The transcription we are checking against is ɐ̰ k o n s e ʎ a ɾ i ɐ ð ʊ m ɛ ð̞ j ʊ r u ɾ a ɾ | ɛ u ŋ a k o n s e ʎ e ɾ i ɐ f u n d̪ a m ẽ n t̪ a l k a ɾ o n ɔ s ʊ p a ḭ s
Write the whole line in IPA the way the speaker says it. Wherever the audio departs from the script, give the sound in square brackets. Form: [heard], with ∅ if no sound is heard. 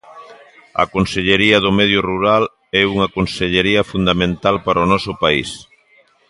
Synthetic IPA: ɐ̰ k o n s e ʎ [e] ɾ i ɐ ð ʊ m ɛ ð̞ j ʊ r u ɾ a [l] | ɛ u ŋ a k o n s e ʎ e ɾ i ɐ f u n d̪ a m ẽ n t̪ a l [p] a ɾ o n ɔ s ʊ p a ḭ s